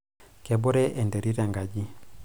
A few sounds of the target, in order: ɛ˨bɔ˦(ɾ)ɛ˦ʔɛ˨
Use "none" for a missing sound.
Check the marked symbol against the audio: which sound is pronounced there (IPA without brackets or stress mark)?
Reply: ɾ